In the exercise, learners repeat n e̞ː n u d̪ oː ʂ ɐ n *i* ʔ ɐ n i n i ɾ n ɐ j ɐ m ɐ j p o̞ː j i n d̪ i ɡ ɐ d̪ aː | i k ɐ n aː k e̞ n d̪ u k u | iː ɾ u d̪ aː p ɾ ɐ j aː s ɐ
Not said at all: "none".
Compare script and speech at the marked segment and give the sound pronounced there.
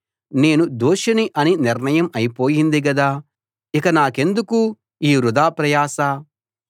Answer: i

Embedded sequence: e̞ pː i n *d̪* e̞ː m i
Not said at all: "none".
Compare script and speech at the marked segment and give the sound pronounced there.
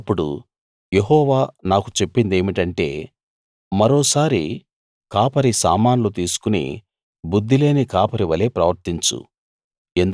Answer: d̪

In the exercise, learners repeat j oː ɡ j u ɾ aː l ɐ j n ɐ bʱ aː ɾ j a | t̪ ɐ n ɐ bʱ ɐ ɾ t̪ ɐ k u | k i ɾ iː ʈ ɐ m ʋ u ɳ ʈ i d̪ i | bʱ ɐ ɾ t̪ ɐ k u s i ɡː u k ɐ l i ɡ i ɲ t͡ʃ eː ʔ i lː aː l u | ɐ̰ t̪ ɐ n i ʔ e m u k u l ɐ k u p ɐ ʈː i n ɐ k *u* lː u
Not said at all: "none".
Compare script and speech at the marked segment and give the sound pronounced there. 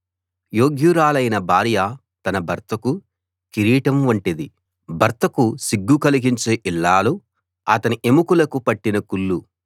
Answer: u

